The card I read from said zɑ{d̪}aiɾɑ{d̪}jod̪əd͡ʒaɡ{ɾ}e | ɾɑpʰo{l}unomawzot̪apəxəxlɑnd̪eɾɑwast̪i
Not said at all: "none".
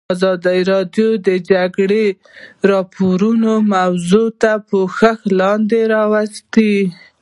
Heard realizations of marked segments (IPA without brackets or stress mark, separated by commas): d̪, d̪, ɽ, ɾ